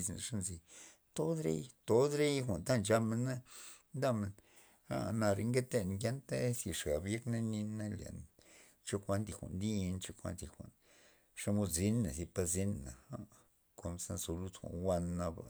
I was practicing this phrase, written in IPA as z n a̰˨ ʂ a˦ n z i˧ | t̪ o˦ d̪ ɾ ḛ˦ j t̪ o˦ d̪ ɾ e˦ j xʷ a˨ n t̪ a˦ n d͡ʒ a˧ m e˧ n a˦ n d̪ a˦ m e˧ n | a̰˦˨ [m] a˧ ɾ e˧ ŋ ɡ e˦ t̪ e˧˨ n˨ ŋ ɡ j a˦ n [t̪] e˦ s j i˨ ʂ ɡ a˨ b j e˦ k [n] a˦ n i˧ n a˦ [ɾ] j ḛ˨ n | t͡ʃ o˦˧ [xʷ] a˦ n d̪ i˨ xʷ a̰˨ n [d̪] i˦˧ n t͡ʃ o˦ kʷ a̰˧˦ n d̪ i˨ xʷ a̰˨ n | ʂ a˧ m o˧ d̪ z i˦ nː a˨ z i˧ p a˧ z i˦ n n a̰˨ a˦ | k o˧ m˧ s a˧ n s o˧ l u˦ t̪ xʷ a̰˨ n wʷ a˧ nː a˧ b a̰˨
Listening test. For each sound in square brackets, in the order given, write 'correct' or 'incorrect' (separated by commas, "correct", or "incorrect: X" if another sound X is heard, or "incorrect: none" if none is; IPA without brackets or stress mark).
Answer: incorrect: n, correct, correct, incorrect: l, incorrect: kʷ, correct